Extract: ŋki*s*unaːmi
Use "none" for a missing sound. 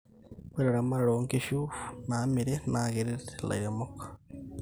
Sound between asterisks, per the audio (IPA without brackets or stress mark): ʃ